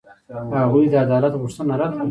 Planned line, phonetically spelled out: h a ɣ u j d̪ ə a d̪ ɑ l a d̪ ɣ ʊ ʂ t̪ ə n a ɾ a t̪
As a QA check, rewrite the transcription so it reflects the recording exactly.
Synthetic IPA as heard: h a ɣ u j d̪ ə a d̪ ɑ l a t̪ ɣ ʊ ʂ t̪ ə n a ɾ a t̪